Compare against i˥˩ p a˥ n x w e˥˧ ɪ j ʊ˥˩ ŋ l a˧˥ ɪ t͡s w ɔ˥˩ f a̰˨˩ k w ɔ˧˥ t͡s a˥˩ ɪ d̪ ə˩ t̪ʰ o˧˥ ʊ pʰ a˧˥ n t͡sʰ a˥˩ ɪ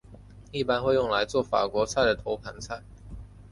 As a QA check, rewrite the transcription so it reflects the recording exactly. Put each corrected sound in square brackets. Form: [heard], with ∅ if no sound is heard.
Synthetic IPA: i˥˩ p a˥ n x w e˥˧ ɪ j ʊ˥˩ ŋ l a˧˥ ɪ t͡s w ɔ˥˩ f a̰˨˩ k w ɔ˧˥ [t͡sʰ] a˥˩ ɪ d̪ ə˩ t̪ʰ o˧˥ ʊ pʰ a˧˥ n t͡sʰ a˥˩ ɪ